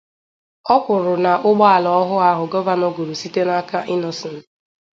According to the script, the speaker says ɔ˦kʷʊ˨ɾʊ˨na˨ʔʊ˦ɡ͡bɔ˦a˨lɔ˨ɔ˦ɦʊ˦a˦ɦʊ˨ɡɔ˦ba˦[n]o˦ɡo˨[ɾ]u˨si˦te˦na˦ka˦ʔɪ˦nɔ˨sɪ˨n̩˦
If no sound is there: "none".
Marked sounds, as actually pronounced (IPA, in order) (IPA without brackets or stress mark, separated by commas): n, ɾ